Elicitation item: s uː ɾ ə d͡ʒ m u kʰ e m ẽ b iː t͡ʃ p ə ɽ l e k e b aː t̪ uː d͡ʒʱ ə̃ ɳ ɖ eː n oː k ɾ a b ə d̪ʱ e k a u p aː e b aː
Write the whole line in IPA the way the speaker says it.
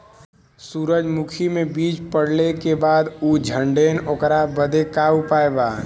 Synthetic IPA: s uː ɾ ə d͡ʒ m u kʰ i m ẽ b iː t͡ʃ p ə ɽ l e k e b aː d̪ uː d͡ʒʱ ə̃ ɳ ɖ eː n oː k ɾ a b ə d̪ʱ e k a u p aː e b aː